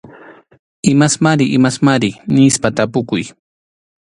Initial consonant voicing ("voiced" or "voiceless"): voiced